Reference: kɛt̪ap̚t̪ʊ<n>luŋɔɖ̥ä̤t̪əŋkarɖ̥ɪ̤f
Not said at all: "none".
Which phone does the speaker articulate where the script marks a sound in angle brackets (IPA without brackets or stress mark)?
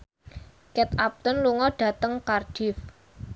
n